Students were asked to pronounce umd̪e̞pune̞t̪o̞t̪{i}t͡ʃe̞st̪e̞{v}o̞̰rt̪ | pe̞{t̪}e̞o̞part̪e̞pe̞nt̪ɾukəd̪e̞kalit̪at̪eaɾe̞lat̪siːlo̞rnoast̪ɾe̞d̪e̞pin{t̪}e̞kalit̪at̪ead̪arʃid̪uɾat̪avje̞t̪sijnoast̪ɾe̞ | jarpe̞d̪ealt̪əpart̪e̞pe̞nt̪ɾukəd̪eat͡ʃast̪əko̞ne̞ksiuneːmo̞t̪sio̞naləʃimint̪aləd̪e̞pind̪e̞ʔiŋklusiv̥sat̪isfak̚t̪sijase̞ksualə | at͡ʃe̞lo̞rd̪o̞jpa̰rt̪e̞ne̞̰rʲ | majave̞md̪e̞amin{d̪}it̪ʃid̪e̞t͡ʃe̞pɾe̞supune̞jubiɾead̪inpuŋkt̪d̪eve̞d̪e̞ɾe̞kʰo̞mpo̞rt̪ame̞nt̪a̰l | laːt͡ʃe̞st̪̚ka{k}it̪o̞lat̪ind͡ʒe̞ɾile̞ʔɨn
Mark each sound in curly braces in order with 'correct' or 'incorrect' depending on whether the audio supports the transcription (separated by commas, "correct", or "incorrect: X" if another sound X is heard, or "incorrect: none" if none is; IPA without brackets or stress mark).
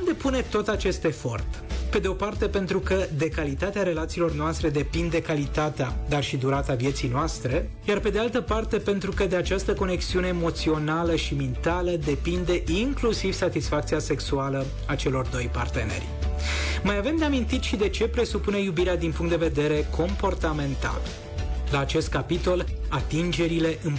incorrect: a, incorrect: f, incorrect: d̪, incorrect: d̪, incorrect: t̪, incorrect: p